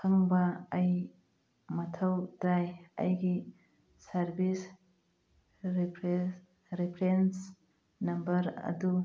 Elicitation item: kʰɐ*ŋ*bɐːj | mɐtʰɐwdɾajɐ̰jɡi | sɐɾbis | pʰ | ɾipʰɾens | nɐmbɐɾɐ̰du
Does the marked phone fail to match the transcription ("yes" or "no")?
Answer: no